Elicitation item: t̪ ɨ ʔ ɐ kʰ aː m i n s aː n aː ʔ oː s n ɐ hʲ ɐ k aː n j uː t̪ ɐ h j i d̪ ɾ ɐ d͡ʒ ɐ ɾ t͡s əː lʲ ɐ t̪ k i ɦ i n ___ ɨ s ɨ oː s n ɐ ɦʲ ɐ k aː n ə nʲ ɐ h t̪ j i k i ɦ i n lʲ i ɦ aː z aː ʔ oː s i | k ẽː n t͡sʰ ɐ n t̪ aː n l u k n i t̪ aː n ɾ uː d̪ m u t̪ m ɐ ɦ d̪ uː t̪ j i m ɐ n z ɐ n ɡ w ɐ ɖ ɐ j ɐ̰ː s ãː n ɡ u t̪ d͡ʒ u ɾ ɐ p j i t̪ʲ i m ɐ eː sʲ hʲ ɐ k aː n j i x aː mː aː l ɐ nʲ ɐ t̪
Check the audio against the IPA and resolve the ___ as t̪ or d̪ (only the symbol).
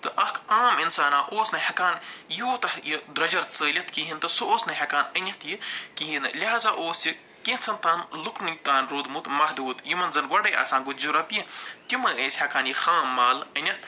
t̪